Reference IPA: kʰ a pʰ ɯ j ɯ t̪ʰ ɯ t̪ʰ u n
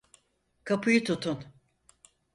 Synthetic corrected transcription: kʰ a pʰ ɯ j ɯ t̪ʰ u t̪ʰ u n